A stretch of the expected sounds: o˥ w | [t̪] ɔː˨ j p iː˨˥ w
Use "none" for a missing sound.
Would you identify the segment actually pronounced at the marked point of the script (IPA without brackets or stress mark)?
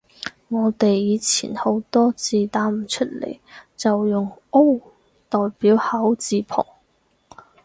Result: t̪